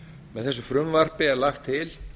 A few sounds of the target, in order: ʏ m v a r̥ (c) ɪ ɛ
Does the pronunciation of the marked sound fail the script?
yes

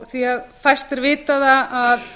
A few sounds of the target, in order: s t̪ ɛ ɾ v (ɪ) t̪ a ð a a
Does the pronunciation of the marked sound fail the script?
yes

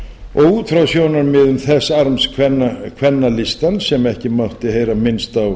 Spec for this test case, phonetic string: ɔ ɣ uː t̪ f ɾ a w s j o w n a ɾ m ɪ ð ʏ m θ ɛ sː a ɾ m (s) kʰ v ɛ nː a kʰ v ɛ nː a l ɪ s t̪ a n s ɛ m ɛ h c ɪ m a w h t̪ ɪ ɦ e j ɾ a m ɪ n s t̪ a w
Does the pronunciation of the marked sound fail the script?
no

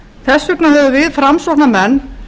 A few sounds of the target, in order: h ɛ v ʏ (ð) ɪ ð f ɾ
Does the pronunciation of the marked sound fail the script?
yes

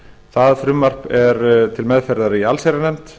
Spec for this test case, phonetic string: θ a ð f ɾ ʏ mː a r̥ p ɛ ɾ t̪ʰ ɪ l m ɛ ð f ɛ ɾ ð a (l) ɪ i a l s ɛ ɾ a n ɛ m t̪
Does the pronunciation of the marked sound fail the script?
yes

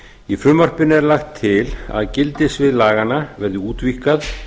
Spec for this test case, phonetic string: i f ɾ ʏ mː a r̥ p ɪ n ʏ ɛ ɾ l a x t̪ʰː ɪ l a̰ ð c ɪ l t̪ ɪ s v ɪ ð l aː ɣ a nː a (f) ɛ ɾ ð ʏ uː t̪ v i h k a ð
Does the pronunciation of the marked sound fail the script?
yes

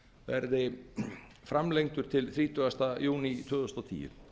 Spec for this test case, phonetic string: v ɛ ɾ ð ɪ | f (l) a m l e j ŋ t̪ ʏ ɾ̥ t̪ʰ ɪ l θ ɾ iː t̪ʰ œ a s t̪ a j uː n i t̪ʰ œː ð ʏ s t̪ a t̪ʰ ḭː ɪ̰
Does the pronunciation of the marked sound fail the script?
yes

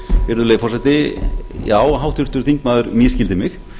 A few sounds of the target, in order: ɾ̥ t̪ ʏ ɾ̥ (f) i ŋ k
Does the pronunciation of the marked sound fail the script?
yes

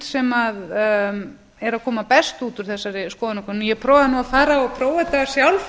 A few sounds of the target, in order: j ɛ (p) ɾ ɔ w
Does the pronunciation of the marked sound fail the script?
yes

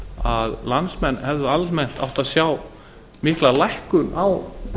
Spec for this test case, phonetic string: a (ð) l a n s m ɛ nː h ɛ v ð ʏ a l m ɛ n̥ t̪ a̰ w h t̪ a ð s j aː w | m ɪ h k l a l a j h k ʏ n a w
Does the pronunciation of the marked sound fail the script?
no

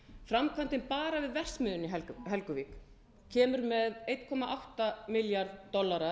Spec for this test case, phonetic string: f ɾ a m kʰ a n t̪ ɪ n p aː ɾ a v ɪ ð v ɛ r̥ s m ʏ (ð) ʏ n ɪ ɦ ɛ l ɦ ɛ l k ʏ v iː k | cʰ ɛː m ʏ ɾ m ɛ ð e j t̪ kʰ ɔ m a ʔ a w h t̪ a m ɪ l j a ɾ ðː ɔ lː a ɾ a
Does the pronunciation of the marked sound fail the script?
no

